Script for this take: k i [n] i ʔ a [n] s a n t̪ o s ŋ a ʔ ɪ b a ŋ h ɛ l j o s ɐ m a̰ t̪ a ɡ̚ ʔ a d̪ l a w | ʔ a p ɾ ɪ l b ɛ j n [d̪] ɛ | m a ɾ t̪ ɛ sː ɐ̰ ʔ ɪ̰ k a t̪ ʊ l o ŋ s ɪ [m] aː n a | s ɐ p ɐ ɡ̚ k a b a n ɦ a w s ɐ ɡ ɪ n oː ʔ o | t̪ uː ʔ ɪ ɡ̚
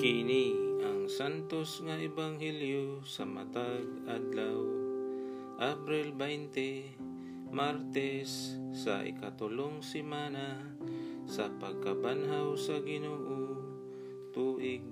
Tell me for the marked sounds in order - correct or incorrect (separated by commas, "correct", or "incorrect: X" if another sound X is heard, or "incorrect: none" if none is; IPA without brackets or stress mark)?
correct, incorrect: ŋ, incorrect: t̪, correct